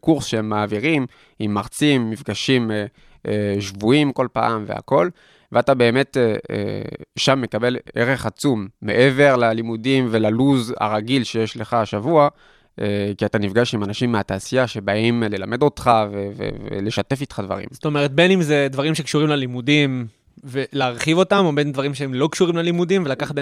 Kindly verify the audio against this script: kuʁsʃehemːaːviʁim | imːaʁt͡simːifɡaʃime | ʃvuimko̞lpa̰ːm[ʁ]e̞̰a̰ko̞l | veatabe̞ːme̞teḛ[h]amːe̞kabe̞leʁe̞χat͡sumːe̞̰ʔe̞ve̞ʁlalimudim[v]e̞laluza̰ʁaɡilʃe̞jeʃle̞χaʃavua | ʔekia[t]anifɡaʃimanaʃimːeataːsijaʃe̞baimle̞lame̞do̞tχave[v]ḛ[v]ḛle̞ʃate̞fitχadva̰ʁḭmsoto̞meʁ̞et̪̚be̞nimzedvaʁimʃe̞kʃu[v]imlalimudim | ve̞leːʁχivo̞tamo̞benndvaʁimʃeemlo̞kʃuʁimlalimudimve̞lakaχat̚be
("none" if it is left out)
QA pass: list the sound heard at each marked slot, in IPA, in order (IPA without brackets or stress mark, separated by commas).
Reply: v, ʃ, v, t, v, v, ʁ